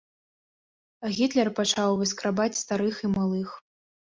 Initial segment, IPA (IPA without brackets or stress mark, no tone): ɣʲ